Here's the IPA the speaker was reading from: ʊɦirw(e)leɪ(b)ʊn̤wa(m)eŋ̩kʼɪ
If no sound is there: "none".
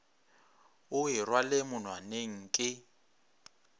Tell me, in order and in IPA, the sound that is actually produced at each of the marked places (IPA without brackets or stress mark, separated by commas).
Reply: a, m, n